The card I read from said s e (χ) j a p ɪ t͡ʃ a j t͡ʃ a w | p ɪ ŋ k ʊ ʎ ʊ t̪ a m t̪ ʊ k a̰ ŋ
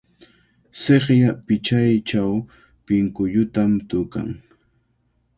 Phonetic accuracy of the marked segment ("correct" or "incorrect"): correct